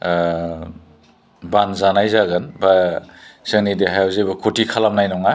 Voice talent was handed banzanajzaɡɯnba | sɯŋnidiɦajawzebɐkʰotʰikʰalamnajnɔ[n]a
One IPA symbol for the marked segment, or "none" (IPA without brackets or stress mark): ŋ